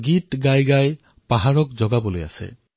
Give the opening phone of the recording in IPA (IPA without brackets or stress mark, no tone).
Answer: ɡ